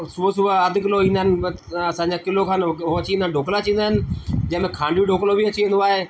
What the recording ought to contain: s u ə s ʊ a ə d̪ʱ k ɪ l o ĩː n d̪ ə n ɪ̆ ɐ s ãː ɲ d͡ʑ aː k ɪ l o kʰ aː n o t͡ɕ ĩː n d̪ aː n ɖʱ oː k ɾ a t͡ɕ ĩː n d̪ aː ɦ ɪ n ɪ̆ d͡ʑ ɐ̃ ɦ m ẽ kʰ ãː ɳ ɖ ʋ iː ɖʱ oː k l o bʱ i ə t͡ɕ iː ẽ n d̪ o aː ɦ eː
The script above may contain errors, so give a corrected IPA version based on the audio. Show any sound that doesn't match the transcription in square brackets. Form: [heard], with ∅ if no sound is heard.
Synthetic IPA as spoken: s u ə s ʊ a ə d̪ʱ k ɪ l o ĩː n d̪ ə n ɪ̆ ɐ s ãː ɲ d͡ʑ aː k ɪ l o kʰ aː n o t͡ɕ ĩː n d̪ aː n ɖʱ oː k [l] a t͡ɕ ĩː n d̪ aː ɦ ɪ n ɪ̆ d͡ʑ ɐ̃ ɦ m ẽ kʰ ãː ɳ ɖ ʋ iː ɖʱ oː k l o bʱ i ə t͡ɕ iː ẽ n d̪ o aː ɦ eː